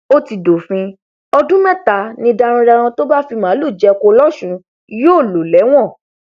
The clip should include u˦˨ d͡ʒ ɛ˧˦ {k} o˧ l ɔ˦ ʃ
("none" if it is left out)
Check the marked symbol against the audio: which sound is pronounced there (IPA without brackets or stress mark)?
k